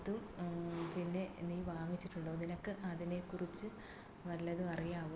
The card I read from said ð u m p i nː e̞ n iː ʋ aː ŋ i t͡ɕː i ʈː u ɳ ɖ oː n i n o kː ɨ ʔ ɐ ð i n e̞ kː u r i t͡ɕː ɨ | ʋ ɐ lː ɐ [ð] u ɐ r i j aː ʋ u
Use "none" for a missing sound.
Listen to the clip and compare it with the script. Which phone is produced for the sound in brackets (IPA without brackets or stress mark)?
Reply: ð